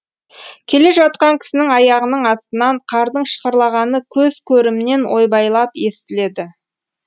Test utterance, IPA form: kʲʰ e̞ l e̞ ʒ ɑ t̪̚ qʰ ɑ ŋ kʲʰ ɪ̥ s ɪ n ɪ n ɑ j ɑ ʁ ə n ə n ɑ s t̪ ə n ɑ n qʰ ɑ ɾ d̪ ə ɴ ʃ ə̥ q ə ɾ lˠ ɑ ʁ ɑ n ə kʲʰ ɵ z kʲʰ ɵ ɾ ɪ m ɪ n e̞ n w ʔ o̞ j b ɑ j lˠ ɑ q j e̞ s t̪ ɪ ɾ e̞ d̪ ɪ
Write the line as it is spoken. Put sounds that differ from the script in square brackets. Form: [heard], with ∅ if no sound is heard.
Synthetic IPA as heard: kʲʰ e̞ l e̞ ʒ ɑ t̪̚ [q] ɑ ŋ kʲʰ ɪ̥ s ɪ n ɪ [ŋ] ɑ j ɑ ʁ ə n ə [ɴ] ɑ s t̪ ə n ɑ [ɴ] qʰ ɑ ɾ d̪ ə ɴ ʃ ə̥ q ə ɾ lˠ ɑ ʁ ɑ n ə kʲʰ ɵ z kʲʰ ɵ ɾ ɪ m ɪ n e̞ n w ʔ o̞ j b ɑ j lˠ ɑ [p] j e̞ s t̪ ɪ [l] e̞ d̪ ɪ